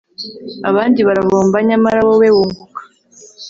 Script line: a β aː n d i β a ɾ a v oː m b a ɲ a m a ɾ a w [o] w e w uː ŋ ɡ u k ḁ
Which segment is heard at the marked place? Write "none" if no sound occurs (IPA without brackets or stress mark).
o